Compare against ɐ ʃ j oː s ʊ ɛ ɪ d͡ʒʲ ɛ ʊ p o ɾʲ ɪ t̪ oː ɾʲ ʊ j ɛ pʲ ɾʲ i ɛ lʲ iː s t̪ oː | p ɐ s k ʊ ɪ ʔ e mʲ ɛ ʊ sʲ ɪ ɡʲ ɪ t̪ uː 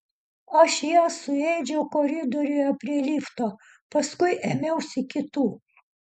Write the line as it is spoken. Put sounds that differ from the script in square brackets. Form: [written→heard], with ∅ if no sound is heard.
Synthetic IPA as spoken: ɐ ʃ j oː s ʊ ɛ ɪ d͡ʒʲ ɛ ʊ [p→k] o ɾʲ ɪ [t̪→d̪] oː ɾʲ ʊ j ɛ pʲ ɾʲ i ɛ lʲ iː [s→f] t̪ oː | p ɐ s k ʊ ɪ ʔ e mʲ ɛ ʊ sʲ ɪ [ɡʲ→kʲ] ɪ t̪ uː